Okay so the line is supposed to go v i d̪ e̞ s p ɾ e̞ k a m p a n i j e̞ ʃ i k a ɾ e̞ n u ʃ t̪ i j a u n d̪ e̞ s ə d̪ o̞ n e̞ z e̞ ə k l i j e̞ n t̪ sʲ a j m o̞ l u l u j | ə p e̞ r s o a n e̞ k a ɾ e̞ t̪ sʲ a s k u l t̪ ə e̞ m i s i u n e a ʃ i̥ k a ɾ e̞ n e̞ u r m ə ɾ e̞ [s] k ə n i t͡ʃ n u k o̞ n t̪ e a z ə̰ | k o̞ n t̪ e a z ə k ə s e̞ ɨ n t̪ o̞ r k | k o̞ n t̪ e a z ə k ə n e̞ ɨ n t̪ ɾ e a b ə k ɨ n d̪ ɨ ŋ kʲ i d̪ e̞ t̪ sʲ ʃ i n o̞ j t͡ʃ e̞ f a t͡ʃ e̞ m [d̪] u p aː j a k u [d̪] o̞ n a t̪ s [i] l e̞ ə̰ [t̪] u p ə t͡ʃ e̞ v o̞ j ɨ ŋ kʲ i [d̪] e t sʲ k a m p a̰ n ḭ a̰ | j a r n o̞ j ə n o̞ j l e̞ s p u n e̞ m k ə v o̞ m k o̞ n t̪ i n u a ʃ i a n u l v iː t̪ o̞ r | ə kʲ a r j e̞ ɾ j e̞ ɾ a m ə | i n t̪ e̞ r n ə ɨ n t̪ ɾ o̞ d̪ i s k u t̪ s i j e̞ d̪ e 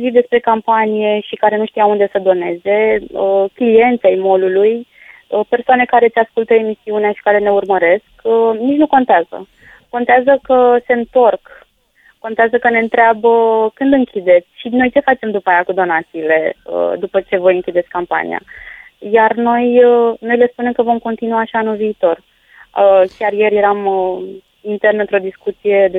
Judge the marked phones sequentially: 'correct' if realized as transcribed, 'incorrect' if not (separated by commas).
correct, correct, correct, incorrect, incorrect, correct